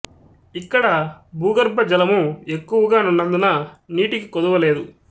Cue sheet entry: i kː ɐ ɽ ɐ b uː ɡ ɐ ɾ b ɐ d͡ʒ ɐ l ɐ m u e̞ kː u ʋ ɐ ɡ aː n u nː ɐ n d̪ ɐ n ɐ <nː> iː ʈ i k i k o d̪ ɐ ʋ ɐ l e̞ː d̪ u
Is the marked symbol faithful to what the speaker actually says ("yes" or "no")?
no